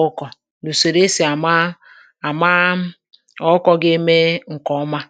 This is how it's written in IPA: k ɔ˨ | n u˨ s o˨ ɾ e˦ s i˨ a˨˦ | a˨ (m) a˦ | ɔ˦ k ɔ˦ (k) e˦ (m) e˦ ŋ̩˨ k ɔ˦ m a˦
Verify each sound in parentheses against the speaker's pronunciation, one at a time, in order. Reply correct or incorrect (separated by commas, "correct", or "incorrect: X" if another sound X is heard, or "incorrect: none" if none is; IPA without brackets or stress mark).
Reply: correct, incorrect: ɡ, correct